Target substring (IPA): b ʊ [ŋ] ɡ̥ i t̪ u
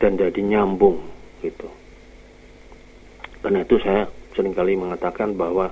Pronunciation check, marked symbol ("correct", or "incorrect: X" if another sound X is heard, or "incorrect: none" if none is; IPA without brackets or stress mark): correct